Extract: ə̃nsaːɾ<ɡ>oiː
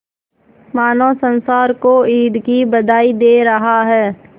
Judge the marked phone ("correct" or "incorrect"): incorrect